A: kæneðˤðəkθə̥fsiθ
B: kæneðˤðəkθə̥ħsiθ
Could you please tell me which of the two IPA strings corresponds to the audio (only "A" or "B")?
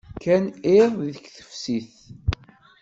A